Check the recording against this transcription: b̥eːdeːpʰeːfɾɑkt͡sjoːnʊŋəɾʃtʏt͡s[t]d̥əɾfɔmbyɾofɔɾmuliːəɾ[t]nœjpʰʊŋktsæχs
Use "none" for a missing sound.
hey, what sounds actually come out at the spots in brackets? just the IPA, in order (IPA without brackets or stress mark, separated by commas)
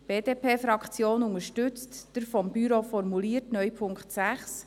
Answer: t, t